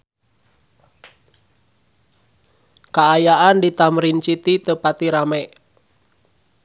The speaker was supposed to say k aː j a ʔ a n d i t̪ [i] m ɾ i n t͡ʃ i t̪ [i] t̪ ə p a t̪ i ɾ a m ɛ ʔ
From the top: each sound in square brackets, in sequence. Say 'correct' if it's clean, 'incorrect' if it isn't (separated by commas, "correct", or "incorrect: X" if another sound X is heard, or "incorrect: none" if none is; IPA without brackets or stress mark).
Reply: incorrect: a, correct